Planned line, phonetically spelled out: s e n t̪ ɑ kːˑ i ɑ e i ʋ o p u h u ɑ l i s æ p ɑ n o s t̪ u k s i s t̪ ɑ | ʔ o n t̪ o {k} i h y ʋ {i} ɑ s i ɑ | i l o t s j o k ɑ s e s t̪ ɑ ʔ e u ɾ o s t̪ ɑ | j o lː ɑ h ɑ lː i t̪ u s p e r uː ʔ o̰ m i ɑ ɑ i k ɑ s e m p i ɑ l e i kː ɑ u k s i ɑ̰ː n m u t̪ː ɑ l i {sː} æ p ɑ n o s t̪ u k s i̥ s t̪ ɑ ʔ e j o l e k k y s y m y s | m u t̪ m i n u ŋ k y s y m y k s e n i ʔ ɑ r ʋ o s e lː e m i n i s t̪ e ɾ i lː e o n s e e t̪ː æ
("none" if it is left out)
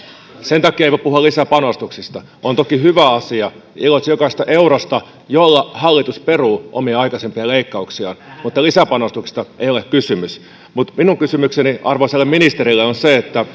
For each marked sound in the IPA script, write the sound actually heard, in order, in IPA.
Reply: k, æ, s

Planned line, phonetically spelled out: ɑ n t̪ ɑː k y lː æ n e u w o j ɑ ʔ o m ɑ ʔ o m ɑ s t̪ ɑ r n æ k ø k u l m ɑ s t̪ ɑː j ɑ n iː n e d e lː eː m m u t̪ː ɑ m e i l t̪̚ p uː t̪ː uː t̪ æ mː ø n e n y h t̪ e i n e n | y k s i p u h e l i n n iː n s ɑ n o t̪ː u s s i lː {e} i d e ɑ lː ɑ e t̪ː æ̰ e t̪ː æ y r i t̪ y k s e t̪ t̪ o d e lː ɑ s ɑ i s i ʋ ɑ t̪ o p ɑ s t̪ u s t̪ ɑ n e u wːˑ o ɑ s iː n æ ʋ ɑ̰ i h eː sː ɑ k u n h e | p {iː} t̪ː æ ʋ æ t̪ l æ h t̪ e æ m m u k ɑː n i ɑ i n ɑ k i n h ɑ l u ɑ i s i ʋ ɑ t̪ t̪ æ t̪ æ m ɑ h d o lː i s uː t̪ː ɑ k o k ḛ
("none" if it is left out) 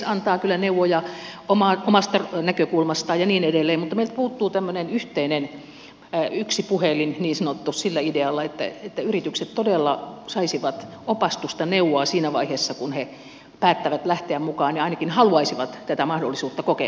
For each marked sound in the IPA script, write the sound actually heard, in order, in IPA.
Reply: æ, æː

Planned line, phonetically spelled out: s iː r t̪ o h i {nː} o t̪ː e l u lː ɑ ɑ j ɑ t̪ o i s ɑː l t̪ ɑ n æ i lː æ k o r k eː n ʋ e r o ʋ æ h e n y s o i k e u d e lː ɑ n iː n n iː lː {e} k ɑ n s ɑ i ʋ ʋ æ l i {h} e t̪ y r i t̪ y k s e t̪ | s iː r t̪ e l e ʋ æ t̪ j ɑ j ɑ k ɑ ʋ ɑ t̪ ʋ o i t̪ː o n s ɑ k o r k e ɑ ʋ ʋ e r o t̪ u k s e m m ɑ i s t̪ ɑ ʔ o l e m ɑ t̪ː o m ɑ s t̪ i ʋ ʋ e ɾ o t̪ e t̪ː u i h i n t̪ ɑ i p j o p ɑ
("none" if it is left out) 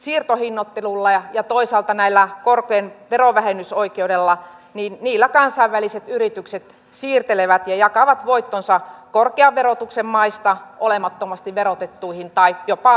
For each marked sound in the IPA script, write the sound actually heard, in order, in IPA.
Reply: nː, æ, s

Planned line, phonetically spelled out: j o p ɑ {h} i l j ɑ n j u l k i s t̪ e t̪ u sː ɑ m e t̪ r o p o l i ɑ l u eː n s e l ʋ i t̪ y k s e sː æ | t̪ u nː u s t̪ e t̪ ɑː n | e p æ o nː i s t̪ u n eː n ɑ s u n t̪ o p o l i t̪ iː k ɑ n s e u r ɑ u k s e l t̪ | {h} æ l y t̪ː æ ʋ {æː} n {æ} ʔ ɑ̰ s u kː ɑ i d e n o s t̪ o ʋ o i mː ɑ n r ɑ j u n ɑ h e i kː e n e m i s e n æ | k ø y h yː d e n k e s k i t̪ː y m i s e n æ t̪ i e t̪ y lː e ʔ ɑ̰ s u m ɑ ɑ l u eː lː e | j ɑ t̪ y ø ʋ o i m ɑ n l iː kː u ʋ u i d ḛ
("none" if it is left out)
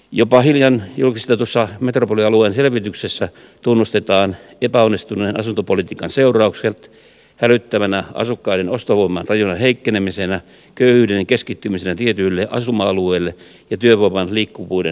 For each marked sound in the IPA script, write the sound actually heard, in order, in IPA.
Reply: h, h, æ, æ

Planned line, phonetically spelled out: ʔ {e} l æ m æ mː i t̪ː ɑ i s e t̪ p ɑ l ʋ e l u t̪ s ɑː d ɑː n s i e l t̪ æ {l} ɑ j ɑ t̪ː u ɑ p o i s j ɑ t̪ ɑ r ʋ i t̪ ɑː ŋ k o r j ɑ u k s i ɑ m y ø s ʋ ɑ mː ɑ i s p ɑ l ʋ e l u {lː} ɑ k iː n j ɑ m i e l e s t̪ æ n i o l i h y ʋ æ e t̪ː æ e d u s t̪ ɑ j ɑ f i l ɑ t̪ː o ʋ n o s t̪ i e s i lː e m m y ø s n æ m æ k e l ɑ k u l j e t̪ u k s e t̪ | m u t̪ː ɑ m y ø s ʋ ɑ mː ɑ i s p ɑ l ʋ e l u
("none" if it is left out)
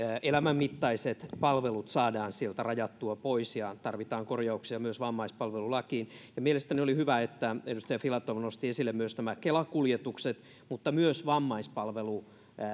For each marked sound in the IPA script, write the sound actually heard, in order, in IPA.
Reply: e, r, l

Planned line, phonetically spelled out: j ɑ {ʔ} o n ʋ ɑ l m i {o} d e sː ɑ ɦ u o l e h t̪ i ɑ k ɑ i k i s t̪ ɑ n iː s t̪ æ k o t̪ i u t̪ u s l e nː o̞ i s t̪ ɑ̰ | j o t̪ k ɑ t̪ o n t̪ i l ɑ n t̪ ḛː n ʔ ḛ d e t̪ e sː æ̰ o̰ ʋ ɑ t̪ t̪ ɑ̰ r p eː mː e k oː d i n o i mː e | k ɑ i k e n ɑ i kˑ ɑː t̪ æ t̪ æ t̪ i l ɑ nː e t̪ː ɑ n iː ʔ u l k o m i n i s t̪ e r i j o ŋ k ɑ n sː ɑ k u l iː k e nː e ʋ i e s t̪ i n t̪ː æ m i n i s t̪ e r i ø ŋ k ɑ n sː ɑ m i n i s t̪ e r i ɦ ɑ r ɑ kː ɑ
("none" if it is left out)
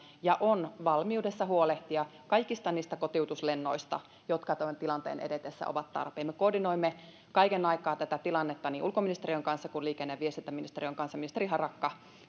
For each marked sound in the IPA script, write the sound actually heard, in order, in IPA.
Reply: ʔ, u

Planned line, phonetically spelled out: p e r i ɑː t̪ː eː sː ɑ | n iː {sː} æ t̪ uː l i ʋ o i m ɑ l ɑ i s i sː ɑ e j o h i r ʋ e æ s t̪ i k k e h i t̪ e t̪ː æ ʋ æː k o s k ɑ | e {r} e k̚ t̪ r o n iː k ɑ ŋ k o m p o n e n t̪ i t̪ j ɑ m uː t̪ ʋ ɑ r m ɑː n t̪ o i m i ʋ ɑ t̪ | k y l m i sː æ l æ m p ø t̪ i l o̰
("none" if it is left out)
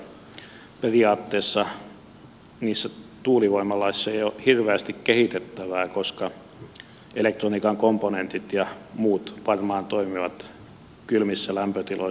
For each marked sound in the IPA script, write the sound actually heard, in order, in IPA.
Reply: sː, l

